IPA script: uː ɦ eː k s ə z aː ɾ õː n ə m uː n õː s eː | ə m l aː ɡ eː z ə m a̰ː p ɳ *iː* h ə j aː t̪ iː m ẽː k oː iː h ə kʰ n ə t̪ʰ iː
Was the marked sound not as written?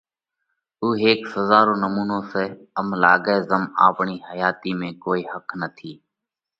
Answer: no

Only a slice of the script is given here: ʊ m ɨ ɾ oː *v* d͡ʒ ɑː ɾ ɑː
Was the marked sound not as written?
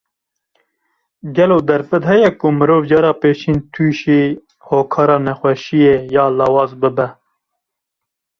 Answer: no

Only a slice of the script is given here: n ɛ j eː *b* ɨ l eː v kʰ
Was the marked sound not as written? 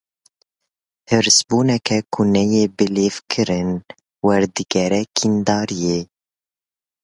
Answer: no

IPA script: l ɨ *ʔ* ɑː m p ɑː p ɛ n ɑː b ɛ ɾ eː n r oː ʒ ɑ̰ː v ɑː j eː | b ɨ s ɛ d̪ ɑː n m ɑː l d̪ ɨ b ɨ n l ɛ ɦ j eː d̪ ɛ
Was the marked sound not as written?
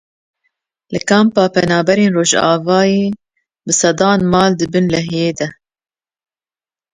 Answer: yes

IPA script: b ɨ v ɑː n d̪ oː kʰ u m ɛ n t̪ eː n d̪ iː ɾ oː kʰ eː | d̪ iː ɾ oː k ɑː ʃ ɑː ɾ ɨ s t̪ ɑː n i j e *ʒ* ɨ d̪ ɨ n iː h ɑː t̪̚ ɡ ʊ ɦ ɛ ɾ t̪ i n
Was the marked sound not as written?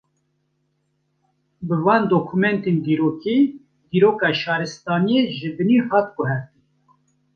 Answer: no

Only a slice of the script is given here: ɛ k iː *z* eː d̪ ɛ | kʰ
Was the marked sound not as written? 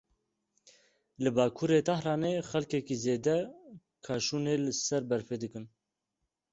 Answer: no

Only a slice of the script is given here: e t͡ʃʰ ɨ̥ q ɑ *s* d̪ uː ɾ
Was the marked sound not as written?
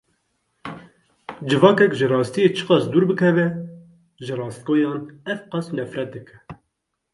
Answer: no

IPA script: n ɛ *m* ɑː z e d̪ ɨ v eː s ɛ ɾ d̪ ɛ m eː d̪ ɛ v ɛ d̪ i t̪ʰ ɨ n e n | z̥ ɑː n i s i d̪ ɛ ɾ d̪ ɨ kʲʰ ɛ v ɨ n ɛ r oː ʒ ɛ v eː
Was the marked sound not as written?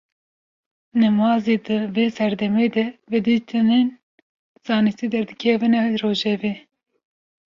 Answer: no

